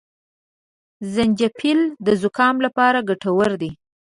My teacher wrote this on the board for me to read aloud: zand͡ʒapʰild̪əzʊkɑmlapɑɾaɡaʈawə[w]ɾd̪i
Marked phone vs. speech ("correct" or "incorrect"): incorrect